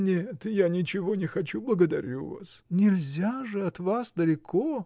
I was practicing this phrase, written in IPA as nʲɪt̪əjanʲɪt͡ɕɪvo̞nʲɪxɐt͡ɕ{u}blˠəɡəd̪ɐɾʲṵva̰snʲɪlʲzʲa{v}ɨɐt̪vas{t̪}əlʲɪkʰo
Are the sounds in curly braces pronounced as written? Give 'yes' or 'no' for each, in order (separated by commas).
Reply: yes, no, no